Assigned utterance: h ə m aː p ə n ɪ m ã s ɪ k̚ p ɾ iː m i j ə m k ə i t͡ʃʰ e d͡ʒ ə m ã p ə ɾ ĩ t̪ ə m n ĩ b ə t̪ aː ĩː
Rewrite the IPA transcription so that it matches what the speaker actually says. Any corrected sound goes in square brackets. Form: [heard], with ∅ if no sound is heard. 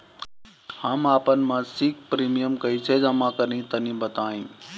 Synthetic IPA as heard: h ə m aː p ə n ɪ m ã s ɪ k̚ p ɾ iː m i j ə m k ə i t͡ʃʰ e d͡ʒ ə m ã [k] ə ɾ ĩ t̪ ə [∅] n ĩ b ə t̪ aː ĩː